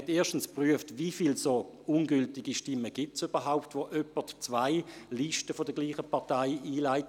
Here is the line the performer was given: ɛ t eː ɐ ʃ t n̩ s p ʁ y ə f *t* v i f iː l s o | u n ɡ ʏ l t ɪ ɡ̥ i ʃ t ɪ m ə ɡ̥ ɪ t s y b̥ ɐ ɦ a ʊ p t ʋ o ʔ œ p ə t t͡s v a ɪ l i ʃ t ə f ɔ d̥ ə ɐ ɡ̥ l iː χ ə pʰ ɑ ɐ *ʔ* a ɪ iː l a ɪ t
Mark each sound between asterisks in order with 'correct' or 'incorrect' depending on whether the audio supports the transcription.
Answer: correct, incorrect: t

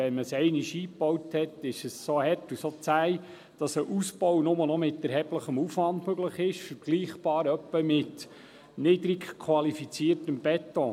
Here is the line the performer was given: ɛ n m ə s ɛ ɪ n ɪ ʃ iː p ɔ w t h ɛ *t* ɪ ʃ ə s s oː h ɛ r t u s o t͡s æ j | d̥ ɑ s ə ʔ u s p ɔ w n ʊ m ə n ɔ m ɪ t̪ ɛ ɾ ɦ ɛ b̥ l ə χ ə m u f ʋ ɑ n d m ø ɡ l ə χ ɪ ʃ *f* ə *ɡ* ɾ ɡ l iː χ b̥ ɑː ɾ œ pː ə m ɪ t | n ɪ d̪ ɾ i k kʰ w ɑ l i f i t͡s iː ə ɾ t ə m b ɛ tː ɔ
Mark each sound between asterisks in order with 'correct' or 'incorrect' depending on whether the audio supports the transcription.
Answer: correct, correct, incorrect: none

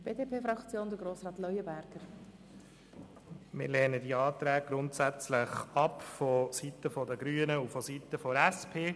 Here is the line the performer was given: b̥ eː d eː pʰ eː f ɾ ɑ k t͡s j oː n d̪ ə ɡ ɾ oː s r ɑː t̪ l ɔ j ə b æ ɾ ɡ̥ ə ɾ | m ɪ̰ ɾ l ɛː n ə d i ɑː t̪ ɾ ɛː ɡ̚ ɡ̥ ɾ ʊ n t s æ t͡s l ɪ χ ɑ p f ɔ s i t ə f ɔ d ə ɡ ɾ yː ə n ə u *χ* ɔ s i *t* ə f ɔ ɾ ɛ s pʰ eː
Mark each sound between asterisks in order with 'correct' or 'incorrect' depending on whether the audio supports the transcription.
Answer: incorrect: f, correct

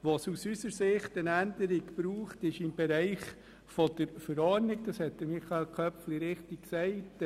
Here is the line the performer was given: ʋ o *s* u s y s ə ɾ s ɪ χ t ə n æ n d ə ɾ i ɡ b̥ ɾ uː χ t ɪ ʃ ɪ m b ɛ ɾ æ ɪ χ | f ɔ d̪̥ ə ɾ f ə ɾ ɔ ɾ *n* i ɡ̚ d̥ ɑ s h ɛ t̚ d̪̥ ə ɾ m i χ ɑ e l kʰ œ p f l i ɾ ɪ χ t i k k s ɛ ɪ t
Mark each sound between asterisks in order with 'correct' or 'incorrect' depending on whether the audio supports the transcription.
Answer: correct, correct

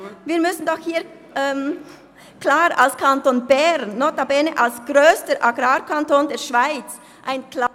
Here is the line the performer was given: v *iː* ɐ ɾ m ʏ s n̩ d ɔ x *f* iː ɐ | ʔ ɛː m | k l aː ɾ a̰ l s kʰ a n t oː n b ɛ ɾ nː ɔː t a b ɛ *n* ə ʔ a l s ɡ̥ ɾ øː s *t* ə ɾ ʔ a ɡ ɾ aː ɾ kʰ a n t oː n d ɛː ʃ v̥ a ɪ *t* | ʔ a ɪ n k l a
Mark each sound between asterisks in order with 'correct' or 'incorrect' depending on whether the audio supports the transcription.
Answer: correct, incorrect: h, correct, correct, incorrect: t͡s

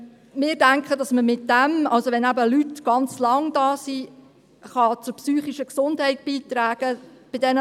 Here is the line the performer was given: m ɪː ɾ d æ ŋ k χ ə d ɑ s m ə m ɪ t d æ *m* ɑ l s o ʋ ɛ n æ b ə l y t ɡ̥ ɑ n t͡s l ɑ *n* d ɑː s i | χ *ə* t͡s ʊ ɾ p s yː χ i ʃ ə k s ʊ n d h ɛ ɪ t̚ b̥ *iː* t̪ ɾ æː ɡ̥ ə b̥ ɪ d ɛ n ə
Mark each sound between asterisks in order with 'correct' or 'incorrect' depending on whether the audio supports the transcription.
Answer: correct, incorrect: ŋ, incorrect: ɑ, correct

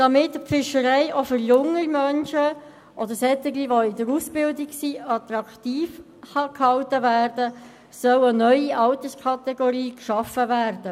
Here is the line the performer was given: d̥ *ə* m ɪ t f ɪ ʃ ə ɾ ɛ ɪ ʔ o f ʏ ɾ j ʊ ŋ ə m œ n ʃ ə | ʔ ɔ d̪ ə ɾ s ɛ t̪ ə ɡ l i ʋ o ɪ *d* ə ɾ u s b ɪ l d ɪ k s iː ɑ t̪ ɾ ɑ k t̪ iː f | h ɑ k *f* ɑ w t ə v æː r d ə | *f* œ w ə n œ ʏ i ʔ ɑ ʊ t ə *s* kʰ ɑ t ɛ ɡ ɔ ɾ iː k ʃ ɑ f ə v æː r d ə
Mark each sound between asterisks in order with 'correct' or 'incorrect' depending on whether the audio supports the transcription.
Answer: incorrect: ɑ, correct, incorrect: h, incorrect: s, correct

